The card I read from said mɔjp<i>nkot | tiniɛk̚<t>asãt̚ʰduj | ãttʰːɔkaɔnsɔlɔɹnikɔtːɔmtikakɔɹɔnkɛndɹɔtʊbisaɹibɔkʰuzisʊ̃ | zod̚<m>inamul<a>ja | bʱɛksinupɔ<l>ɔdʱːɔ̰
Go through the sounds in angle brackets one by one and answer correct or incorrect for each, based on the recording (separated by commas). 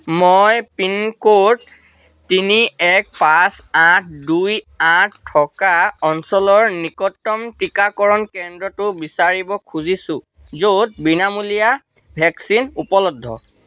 correct, incorrect, incorrect, incorrect, correct